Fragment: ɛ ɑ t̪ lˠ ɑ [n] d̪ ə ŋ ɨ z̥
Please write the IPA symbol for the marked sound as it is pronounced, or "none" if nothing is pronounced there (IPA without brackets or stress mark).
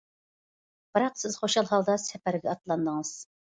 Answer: n